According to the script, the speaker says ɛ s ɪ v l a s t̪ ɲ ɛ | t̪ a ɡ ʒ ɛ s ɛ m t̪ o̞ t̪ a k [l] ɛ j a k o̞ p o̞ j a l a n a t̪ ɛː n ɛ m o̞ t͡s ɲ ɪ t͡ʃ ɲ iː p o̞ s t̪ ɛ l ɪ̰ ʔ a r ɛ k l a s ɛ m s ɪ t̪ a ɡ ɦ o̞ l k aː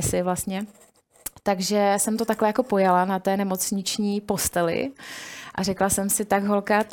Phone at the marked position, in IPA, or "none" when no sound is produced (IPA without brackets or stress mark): l